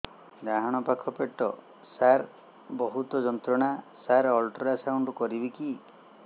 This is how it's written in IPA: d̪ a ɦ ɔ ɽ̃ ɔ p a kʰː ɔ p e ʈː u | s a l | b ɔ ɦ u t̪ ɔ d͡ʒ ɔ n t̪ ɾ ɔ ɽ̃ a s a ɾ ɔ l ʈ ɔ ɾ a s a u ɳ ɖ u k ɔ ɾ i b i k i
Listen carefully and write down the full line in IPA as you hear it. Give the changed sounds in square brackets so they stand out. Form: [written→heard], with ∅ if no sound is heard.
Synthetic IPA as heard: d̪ a ɦ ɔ ɽ̃ ɔ p a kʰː ɔ p e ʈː [u→ɔ] | s a [l→ɾ] | b ɔ ɦ u t̪ ɔ d͡ʒ ɔ n t̪ ɾ ɔ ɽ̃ a s a ɾ ɔ l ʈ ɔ ɾ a s a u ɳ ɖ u k ɔ ɾ i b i k i